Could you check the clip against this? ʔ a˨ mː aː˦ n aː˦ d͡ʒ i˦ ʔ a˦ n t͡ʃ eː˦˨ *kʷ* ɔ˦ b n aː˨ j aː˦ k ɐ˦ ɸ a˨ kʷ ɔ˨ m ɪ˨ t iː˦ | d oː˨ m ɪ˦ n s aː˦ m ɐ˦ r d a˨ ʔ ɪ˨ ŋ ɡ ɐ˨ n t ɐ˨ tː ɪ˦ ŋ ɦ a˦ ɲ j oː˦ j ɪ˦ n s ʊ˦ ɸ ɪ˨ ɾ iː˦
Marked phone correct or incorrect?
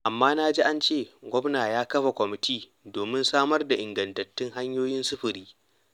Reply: incorrect